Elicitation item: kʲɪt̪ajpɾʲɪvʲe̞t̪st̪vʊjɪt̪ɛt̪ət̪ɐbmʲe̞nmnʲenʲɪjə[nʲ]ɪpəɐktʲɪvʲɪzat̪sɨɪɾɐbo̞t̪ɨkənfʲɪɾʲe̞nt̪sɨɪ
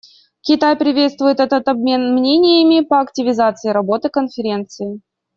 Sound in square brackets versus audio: incorrect: mʲ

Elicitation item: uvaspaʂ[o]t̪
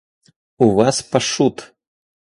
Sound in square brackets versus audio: incorrect: u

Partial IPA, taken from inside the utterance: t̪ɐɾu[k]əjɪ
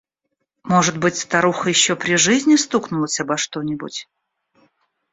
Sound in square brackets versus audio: incorrect: x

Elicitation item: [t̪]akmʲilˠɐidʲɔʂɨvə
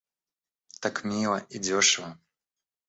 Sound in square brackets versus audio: correct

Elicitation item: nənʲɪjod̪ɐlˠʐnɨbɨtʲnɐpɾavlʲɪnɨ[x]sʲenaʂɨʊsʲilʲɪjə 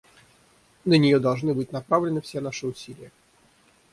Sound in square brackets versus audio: incorrect: f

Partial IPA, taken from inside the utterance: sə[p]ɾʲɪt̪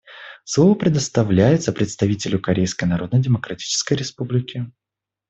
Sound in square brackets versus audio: correct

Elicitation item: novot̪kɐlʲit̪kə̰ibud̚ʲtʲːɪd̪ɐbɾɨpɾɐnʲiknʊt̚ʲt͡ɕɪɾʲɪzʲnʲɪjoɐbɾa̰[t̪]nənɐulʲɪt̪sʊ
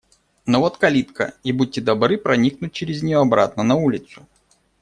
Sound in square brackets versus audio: correct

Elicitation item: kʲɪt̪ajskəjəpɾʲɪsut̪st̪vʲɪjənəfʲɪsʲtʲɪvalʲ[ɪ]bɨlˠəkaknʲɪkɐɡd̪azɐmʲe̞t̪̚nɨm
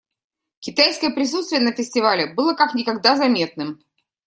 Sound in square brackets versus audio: correct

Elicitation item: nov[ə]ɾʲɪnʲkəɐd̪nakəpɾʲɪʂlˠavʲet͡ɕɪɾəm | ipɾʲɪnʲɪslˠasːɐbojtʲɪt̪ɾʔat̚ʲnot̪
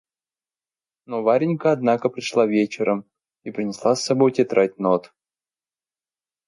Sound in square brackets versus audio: incorrect: a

